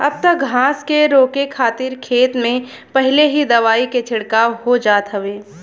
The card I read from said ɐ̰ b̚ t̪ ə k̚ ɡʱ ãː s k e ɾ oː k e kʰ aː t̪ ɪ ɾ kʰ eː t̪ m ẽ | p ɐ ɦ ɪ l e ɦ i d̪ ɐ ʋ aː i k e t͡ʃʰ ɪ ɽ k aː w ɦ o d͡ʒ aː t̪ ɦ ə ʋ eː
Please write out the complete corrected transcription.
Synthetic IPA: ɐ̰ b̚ t̪ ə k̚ ɡʱ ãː s k e ɾ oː k e kʰ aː t̪ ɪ ɾ kʰ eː t̪ m ẽ | p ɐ ɦ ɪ l e ɦ i d̪ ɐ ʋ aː i k e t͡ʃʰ ɪ ɽ k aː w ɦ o d͡ʒ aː t̪ ɦ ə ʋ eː

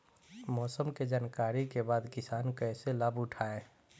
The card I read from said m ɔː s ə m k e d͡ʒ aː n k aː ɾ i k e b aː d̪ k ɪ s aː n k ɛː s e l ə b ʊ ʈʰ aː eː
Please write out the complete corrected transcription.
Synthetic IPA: m ɔː s ə m k e d͡ʒ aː n k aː ɾ i k e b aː d̪ k ɪ s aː n k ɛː s e l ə b ʊ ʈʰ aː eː

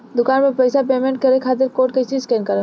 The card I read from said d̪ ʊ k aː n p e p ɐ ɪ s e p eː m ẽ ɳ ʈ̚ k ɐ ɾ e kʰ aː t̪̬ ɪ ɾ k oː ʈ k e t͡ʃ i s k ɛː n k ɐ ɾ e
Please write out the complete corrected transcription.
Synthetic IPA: d̪ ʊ k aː n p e p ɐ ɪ s a p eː m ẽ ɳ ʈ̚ k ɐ ɾ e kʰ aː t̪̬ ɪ ɾ k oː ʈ k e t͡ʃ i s k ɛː n k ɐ ɾ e

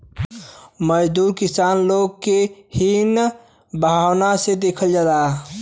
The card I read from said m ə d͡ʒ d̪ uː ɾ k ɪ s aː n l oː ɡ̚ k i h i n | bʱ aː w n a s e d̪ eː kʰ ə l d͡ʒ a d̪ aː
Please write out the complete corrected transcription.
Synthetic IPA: m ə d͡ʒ d̪ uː ɾ k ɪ s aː n l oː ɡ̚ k e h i n | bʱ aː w n a s e d̪ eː kʰ ə l d͡ʒ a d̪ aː

